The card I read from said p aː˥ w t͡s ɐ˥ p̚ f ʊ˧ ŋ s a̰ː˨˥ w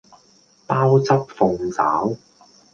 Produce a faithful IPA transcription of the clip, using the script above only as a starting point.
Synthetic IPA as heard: p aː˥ w t͡s ɐ˥ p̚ f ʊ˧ ŋ t͡s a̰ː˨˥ w